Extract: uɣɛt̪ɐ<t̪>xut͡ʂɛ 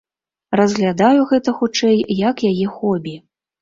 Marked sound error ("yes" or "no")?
yes